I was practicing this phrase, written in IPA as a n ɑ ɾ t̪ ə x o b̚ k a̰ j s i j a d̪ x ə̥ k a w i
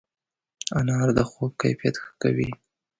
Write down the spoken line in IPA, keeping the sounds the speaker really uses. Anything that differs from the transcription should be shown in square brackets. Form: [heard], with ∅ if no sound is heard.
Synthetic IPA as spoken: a n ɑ ɾ [d̪] ə x o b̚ k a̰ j [f] i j a [t̪] x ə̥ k a w i

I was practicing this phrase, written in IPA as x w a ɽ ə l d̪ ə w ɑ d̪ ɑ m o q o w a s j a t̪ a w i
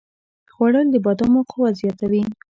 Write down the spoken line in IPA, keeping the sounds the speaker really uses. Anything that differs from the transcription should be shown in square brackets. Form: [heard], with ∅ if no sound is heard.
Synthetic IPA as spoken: x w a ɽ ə l d̪ ə [b] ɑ d̪ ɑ m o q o w a [z] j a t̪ a w i

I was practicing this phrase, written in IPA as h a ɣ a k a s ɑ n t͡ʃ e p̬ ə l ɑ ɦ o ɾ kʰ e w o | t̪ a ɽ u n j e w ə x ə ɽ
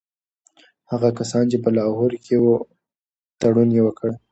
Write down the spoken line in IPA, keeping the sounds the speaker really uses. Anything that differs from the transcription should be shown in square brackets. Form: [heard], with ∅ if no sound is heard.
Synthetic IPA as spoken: h a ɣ a k a s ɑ n t͡ʃ e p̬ ə l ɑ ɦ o ɾ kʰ e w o | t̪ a ɽ u n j e w ə [k] ə ɽ

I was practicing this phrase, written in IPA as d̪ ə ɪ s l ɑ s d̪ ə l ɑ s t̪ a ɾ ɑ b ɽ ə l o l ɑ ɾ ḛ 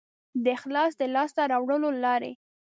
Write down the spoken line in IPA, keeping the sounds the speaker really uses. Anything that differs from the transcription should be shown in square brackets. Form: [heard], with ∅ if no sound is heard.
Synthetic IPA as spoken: d̪ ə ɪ [x] l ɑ s d̪ ə l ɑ s t̪ a ɾ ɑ [w] ɽ ə l o l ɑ ɾ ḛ

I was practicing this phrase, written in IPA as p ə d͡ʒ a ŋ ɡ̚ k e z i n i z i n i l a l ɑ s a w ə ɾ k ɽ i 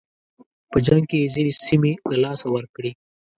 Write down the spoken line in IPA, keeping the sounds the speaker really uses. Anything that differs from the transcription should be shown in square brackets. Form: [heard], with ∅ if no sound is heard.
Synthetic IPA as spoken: p ə d͡ʒ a ŋ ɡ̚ k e z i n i [s] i [m] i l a l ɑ s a w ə ɾ k ɽ i

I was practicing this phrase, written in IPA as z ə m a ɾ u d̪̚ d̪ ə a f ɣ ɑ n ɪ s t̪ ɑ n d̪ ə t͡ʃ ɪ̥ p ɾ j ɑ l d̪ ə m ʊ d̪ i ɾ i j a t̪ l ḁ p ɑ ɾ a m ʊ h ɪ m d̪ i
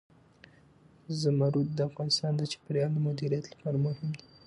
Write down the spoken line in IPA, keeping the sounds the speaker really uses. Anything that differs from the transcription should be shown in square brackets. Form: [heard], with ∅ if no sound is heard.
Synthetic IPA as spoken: z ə m a ɾ u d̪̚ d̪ ə a f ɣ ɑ n ɪ s t̪ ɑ n d̪ ə t͡ʃ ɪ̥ p ɾ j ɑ l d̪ ə m ʊ d̪ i ɾ i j a t̪ l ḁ p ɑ ɾ a m ʊ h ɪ m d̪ i

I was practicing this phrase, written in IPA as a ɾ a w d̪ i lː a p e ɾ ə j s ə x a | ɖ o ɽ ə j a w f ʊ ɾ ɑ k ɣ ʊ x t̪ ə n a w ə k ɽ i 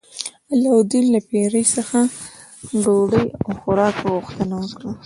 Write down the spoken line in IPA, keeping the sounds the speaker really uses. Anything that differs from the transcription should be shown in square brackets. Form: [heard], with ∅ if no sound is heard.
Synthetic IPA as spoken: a [l] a w d̪ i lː a p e ɾ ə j s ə x a | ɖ o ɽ ə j a w [x] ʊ ɾ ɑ k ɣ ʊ x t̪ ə n a w ə k ɽ [a]

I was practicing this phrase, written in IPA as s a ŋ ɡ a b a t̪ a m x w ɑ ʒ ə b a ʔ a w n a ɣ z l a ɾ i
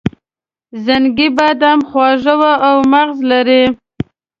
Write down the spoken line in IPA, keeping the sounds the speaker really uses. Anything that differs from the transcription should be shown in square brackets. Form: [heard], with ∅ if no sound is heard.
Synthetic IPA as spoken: [z] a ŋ ɡ [i] b a [d̪] a m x w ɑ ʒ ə [w] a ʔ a w [m] a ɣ z l a ɾ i

